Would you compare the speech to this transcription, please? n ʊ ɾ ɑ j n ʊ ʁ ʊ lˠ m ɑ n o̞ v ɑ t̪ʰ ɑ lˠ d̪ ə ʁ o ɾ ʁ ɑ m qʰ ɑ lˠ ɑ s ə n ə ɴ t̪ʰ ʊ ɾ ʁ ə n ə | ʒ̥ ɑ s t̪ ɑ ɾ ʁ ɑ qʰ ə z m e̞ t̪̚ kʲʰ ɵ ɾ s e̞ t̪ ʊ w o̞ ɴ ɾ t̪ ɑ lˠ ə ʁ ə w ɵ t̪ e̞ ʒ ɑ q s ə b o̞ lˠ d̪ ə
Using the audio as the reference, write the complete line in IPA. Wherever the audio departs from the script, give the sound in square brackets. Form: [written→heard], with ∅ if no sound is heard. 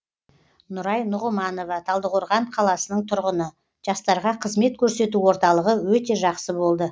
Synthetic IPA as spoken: n ʊ ɾ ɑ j n ʊ ʁ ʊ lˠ m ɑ n o̞ v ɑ t̪ʰ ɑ lˠ d̪ ə ʁ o ɾ ʁ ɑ [m→ɴ] qʰ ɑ lˠ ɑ s ə n ə ɴ t̪ʰ ʊ ɾ ʁ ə n ə | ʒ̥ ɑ s t̪ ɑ ɾ ʁ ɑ qʰ ə z m e̞ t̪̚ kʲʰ ɵ ɾ s e̞ t̪ [ʊ→u] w o̞ [ɴ→∅] ɾ t̪ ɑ lˠ ə ʁ ə w ɵ t̪ e̞ ʒ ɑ q s ə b o̞ lˠ d̪ ə